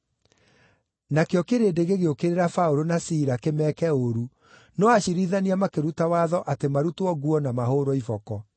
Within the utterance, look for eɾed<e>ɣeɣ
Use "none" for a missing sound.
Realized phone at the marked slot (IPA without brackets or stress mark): e